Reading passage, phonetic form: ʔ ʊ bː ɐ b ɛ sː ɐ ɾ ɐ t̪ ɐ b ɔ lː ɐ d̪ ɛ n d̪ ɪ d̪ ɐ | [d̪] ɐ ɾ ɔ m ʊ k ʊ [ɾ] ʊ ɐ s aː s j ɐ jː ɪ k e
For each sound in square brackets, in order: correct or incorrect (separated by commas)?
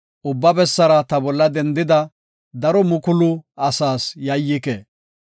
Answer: correct, incorrect